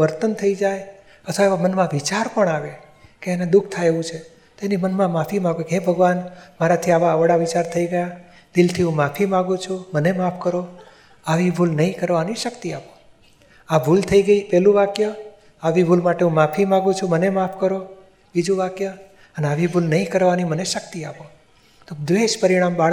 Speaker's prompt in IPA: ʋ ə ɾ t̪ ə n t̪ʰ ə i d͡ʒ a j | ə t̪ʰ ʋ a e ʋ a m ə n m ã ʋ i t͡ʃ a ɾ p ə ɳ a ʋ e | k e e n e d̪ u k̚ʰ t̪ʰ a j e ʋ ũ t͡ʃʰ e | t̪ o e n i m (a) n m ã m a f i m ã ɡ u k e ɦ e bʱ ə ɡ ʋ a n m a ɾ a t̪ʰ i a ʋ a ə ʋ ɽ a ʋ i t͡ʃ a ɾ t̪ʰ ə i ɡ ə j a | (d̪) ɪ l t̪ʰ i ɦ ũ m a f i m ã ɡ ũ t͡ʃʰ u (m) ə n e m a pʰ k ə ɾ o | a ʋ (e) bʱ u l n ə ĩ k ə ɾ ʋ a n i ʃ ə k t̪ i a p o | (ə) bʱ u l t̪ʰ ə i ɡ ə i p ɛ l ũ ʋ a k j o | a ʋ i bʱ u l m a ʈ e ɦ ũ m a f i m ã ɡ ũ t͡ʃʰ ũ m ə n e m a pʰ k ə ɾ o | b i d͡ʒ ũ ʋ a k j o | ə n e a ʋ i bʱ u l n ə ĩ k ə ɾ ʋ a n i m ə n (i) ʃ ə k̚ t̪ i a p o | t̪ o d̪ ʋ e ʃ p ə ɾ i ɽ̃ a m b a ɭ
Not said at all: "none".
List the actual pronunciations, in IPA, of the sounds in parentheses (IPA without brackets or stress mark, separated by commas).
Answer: ə, d̪, m, i, a, e